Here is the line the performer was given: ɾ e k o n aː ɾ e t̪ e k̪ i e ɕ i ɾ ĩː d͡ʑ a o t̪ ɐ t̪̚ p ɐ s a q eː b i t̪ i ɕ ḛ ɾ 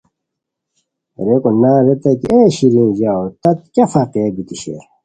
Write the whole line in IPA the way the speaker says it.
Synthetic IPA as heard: ɾ e k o n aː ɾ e t̪ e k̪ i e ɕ i ɾ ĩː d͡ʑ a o t̪ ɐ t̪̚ k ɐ f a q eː b i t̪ i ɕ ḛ ɾ